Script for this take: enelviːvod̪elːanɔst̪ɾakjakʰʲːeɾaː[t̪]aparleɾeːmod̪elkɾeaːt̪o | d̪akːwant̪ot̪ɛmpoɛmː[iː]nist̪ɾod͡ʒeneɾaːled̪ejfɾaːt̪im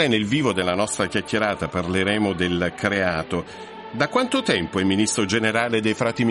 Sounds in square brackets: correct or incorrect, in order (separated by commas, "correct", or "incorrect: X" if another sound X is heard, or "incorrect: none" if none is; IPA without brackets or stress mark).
correct, incorrect: i